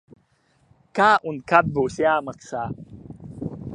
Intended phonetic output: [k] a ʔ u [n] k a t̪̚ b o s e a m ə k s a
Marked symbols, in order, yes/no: yes, yes

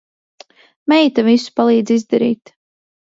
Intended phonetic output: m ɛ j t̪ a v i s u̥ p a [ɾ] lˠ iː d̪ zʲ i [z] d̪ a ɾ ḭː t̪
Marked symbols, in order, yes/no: no, yes

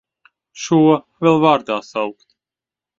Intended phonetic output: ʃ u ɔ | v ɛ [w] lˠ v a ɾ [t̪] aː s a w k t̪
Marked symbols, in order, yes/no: no, no

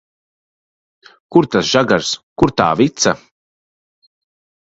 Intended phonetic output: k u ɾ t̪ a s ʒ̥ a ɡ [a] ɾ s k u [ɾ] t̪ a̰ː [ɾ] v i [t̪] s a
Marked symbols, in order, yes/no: yes, yes, no, yes

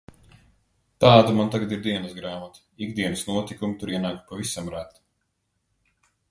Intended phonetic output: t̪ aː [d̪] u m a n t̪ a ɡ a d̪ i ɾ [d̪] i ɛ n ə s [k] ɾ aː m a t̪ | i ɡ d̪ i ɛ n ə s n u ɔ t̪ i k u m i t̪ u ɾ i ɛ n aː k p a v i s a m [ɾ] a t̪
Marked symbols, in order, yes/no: yes, yes, no, yes

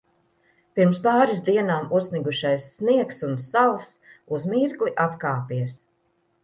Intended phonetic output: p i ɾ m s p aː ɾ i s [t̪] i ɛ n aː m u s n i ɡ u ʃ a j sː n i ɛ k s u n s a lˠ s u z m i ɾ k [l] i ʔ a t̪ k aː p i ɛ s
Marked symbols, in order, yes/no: no, yes

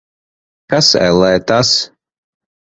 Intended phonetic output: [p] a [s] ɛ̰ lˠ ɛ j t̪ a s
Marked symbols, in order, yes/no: no, yes

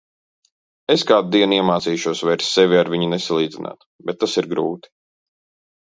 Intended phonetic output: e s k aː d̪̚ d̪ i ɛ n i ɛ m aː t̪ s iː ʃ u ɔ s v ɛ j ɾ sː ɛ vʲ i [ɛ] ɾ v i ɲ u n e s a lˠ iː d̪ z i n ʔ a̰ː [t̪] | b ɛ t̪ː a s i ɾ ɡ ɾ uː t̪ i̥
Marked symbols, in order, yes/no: no, yes

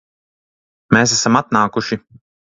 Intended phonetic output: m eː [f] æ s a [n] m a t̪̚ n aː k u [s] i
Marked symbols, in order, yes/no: no, no, no

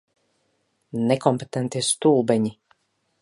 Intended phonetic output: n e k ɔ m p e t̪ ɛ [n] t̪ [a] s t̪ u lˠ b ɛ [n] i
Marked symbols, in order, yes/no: yes, no, no

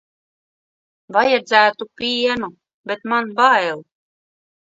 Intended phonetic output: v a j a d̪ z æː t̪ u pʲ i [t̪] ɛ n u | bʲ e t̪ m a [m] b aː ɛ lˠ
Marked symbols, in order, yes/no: no, no

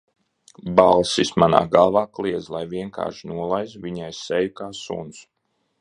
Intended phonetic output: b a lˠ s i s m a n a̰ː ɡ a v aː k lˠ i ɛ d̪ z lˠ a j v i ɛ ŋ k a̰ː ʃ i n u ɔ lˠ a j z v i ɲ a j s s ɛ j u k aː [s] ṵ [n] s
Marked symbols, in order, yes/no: yes, yes

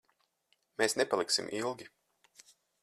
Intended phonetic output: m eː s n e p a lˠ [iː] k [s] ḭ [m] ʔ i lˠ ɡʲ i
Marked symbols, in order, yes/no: no, yes, yes

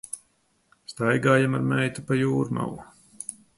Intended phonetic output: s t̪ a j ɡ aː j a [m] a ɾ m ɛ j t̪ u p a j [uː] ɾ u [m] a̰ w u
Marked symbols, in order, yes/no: yes, yes, yes

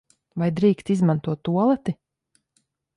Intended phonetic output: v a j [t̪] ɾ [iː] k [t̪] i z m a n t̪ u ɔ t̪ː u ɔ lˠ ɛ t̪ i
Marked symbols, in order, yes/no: no, yes, yes

